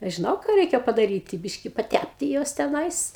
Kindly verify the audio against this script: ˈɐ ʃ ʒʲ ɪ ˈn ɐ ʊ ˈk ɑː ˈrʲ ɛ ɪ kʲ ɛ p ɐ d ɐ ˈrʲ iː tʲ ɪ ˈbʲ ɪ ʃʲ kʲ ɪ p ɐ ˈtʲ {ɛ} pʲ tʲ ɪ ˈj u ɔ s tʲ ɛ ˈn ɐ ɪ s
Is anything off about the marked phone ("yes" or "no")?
yes